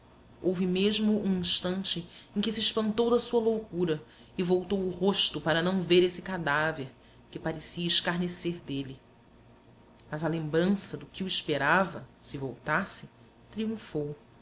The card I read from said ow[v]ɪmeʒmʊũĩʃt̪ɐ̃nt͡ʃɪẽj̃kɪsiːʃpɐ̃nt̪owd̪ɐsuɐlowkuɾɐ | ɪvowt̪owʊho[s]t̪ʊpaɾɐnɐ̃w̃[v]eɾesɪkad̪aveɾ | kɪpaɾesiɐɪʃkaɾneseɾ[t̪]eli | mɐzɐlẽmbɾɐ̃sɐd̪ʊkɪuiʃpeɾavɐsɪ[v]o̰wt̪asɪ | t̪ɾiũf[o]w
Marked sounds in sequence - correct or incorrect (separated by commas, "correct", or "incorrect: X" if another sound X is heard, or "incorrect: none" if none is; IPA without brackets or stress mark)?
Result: correct, incorrect: ʃ, correct, incorrect: d̪, correct, correct